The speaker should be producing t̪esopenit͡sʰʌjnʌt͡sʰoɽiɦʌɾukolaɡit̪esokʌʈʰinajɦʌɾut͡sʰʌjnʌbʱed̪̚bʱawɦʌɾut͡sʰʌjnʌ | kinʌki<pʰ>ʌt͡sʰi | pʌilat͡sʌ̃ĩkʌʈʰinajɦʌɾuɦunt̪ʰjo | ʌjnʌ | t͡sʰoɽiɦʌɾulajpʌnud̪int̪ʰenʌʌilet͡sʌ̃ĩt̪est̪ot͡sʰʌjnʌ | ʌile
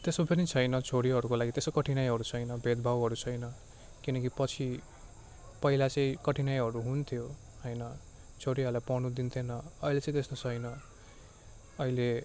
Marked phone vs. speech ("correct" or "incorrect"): incorrect